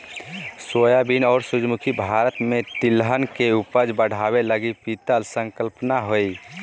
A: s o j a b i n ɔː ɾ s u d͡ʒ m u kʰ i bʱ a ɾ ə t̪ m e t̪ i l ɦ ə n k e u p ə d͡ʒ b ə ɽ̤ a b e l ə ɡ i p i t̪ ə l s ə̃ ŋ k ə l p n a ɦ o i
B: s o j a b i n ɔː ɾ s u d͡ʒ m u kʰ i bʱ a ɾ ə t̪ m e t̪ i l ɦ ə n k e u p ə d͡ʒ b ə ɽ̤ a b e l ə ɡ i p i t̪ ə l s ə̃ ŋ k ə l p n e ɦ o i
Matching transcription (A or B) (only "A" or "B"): A